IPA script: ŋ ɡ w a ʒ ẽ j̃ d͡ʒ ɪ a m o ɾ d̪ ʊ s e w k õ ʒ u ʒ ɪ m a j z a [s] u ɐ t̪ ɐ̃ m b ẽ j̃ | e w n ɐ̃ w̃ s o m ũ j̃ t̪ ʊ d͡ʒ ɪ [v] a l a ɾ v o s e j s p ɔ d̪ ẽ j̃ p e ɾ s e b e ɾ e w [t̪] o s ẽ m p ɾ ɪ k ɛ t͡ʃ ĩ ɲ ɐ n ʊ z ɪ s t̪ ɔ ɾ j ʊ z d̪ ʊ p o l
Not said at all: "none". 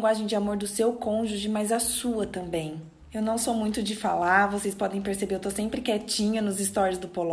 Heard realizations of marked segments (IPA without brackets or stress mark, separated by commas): s, f, t̪